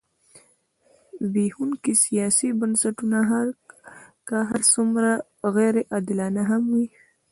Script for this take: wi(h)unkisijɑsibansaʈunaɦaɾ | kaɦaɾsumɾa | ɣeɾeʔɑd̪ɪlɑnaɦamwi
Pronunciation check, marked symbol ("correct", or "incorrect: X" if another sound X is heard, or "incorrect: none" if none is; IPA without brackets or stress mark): correct